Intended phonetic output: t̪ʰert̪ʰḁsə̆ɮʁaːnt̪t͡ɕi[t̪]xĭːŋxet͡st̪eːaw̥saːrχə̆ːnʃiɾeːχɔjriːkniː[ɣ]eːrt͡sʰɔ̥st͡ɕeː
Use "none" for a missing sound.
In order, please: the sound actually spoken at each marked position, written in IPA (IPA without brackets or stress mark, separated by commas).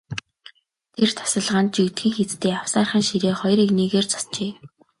t̪, ɣ